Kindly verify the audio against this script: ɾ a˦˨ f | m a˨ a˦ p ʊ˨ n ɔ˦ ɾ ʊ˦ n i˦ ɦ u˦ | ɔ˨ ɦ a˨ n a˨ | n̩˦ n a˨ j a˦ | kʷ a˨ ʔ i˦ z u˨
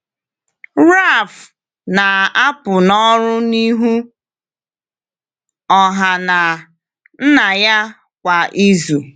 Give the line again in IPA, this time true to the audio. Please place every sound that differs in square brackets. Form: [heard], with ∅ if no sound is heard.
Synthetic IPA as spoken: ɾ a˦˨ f | [n] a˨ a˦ p ʊ˨ n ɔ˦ ɾ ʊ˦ n i˦ ɦ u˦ | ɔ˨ ɦ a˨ n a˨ | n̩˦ n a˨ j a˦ | kʷ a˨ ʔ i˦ z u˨